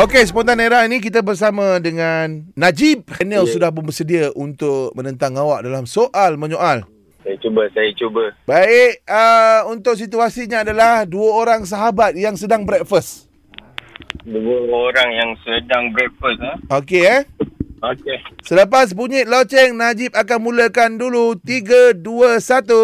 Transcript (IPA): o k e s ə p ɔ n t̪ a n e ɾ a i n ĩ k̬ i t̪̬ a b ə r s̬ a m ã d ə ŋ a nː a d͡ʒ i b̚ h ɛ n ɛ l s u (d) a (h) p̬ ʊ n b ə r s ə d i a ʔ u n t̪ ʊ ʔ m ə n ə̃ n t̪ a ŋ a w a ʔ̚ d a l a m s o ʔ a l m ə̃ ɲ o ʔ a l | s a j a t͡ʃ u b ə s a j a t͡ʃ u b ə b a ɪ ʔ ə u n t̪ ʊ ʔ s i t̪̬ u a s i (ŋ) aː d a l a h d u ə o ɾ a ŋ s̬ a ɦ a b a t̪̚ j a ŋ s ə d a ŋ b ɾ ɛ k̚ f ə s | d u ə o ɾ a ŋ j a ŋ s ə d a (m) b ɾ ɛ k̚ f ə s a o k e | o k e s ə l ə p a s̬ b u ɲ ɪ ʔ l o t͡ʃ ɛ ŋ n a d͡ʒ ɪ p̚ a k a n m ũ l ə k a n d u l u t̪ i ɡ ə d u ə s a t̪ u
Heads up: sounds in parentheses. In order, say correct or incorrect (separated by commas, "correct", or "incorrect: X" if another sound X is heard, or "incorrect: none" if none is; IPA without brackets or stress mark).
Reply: correct, correct, incorrect: ɲ, incorrect: ŋ